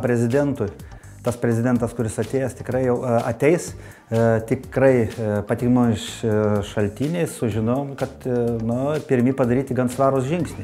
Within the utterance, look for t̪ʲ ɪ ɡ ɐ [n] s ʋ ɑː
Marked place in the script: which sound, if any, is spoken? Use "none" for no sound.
n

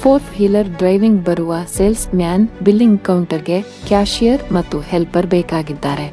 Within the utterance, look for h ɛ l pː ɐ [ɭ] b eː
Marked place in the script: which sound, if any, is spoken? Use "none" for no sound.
ɾ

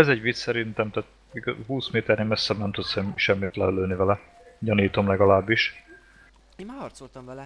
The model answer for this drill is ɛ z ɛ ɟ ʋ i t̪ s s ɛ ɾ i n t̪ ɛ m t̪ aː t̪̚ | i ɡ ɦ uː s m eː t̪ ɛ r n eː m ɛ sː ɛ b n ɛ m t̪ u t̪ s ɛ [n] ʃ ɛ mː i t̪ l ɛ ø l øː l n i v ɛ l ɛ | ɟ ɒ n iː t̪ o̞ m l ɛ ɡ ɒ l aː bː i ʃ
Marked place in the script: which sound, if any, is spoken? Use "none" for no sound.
m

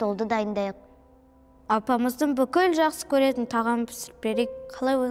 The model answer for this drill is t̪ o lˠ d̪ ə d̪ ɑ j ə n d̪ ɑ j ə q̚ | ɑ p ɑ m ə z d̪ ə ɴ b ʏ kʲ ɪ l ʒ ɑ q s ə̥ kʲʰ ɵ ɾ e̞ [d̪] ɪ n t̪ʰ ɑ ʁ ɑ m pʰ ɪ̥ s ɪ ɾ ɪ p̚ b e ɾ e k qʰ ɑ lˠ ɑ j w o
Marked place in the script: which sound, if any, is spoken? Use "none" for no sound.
t̪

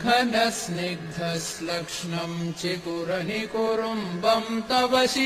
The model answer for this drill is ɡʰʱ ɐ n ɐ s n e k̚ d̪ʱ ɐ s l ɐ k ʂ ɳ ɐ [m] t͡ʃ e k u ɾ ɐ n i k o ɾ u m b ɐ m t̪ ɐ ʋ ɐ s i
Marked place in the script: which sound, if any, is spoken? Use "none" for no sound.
m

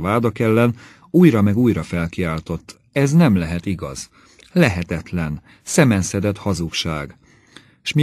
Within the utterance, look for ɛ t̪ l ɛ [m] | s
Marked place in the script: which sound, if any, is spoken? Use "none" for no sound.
n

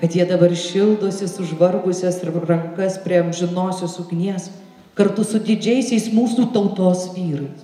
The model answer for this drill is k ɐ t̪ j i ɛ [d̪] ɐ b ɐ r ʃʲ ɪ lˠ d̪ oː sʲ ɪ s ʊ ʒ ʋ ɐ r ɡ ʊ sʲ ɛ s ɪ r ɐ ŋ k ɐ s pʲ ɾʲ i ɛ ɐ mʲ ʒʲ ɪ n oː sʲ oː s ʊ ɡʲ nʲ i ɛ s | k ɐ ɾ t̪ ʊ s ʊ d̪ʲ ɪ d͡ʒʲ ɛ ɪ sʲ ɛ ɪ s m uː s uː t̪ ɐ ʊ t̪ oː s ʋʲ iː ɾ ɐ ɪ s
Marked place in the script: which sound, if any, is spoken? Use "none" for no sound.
d̪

